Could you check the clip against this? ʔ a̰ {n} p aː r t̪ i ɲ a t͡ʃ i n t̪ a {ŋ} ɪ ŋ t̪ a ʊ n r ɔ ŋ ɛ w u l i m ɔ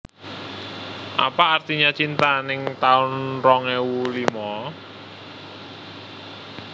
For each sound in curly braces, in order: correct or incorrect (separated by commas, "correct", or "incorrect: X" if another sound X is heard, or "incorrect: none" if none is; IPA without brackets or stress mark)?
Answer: incorrect: none, incorrect: n